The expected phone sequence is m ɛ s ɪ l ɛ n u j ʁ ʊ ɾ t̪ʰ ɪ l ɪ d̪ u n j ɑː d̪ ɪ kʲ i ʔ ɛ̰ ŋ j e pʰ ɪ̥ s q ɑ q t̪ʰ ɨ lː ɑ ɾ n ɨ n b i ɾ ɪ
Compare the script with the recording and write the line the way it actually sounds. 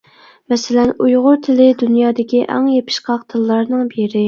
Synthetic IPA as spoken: m ɛ s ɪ l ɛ n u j ʁ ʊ ɾ t̪ʰ ɪ l ɪ d̪ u n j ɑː d̪ ɪ kʲ i ʔ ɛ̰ ŋ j e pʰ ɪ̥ ʃ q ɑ q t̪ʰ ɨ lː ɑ ɾ n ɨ ŋ b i ɾ ɪ